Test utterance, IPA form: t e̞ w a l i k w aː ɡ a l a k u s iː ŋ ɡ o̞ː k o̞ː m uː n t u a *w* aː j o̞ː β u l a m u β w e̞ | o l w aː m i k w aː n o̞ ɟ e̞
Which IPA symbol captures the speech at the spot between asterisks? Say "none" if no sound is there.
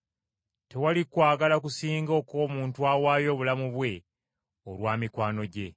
w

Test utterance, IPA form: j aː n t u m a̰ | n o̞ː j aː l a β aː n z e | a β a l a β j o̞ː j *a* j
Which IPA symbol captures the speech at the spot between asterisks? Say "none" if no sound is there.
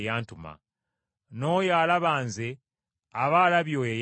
e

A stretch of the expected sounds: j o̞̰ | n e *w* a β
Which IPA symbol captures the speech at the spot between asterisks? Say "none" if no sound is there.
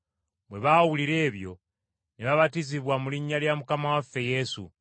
β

